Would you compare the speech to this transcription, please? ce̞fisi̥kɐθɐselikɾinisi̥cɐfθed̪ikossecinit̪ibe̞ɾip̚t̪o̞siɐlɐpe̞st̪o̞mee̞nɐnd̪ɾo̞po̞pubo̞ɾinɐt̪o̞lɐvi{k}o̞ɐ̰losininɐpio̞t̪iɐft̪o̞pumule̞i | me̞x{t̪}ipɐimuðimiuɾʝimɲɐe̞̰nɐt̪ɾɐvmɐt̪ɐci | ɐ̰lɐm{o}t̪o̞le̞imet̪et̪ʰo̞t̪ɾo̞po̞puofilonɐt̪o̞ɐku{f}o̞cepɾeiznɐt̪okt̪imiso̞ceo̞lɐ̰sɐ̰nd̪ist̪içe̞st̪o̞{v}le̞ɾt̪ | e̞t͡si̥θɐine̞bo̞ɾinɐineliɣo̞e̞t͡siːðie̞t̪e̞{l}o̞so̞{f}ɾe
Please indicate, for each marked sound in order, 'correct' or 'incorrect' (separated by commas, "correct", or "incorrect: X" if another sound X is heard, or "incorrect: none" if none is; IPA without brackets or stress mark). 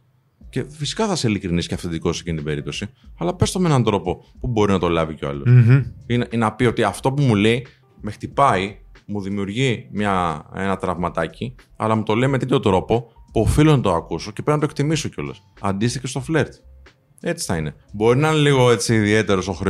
incorrect: c, correct, incorrect: u, incorrect: s, incorrect: f, incorrect: ɾ, incorrect: x